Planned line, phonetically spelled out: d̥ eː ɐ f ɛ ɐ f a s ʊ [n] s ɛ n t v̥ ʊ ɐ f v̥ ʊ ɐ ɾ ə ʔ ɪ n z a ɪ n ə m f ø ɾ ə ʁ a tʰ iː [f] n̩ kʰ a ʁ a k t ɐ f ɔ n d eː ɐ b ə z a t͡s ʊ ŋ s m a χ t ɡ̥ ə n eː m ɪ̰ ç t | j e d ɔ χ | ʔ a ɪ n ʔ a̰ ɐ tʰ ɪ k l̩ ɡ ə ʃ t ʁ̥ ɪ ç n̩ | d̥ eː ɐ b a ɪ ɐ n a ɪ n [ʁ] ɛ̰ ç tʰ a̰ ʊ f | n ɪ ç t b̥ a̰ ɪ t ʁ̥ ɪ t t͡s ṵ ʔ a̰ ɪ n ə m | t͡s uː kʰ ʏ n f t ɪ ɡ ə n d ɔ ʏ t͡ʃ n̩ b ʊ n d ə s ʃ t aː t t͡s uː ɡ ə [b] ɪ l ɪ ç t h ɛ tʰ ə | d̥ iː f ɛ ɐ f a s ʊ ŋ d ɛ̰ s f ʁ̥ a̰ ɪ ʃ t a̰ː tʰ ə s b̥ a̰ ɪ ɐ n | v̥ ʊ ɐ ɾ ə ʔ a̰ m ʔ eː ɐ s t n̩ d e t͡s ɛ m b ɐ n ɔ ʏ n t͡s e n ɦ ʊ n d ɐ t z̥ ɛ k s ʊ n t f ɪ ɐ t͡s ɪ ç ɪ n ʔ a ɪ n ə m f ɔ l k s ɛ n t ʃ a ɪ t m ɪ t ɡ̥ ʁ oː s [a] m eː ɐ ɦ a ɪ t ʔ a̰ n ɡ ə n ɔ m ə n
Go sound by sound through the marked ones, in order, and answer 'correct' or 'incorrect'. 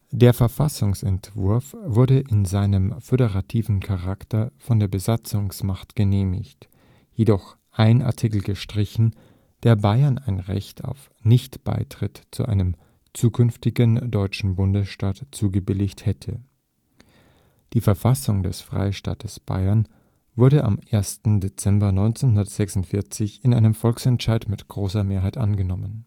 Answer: incorrect, incorrect, correct, correct, incorrect

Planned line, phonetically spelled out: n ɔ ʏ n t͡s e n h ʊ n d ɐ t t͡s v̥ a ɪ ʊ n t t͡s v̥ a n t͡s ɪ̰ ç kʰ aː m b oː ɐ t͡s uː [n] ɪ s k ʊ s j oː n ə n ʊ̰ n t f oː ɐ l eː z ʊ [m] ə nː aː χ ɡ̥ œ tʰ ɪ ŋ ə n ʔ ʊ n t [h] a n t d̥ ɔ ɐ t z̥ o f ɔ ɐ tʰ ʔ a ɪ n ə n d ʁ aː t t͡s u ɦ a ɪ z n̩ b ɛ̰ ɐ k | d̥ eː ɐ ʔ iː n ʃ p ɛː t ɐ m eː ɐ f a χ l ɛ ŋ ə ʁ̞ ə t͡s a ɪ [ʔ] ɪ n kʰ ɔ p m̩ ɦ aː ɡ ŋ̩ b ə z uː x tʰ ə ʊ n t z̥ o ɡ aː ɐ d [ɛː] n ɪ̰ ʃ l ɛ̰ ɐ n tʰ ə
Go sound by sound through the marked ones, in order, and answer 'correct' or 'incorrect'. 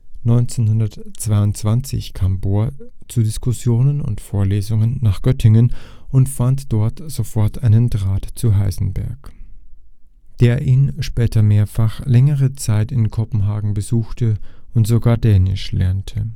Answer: incorrect, incorrect, incorrect, incorrect, correct

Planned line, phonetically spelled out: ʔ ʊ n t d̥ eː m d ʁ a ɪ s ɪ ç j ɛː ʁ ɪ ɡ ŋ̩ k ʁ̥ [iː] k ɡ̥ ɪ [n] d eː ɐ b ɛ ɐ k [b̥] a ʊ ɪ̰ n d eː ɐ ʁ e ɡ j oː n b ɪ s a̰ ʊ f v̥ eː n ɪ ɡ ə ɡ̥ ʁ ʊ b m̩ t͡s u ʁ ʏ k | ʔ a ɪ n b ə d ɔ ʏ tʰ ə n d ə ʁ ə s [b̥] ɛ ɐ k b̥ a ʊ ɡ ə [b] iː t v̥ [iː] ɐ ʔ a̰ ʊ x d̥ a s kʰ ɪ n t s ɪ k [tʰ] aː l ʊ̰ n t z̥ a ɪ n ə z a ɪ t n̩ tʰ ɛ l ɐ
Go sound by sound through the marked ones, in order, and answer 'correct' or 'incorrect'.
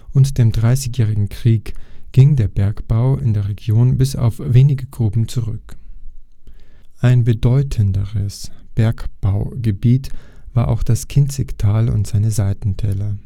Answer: correct, incorrect, correct, correct, correct, incorrect, correct

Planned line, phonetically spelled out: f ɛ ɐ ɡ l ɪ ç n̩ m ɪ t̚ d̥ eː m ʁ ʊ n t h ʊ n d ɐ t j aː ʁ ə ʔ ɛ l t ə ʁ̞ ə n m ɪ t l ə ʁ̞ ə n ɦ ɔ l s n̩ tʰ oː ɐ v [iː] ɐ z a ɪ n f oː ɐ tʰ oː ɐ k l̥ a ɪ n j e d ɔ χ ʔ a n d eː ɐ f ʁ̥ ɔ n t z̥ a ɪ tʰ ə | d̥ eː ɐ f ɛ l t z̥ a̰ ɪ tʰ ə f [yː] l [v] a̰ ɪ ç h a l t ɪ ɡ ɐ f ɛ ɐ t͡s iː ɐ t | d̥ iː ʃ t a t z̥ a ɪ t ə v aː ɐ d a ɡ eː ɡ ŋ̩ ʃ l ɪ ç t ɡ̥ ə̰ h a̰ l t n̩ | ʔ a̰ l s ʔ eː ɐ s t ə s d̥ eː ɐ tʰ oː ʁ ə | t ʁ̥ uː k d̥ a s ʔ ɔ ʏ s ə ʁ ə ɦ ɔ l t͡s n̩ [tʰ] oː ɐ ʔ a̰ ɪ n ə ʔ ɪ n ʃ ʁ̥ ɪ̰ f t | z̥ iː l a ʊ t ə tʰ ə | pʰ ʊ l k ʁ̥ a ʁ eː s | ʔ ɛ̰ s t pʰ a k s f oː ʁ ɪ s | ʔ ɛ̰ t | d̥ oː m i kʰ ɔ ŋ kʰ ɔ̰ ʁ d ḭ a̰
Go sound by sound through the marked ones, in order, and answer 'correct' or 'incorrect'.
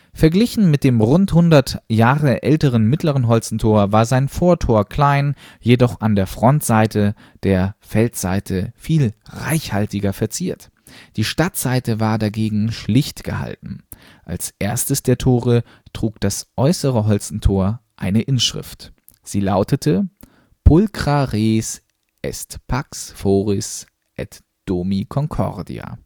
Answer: incorrect, incorrect, incorrect, correct

